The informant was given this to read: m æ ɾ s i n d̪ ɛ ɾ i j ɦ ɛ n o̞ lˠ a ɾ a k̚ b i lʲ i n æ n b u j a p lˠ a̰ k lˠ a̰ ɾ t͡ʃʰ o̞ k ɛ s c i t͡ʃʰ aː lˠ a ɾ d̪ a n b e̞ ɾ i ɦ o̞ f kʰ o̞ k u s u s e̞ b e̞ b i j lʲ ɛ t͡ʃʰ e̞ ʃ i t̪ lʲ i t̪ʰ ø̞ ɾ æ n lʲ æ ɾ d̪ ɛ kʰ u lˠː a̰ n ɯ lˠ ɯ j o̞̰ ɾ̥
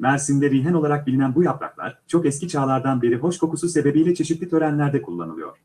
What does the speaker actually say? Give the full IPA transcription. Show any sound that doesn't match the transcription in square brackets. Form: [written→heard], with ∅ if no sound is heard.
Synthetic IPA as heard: m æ ɾ s i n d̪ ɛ ɾ i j ɦ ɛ n o̞ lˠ a ɾ a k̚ b i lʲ i n æ n b u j a p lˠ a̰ k lˠ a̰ ɾ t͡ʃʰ o̞ k ɛ s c i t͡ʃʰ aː lˠ a ɾ d̪ a n b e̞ ɾ i ɦ o̞ [f→ʃ] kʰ o̞ k u s u s e̞ b e̞ b i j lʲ ɛ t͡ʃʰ e̞ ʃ i t̪ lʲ i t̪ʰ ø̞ ɾ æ n lʲ æ ɾ d̪ ɛ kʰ u lˠː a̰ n ɯ lˠ ɯ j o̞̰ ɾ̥